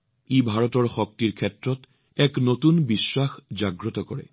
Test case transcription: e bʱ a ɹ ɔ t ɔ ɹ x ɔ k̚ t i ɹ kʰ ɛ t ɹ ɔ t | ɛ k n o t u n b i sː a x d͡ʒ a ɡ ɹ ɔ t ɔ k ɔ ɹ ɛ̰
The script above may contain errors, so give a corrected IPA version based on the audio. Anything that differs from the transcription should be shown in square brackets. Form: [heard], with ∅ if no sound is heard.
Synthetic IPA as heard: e bʱ a ɹ ɔ t ɔ ɹ x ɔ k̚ t i ɹ kʰ ɛ t ɹ ɔ t | ɛ k n o t u n b i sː a x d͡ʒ a ɡ ɹ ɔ t ɔ k ɔ ɹ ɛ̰